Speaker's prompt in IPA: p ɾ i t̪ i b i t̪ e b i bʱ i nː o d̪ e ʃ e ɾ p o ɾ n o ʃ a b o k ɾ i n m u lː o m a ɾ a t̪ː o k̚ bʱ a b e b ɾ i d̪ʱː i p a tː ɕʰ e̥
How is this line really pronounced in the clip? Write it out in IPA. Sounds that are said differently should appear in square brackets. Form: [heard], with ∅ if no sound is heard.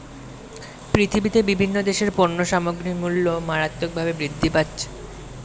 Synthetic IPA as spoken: p ɾ i [t̪ʰ] i b i t̪ e b i bʱ i nː o d̪ e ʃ e ɾ p o ɾ n o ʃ a [m] o [ɡ] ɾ i [∅] m u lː o m a ɾ a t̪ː o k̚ bʱ a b e b ɾ i d̪ʱː i p a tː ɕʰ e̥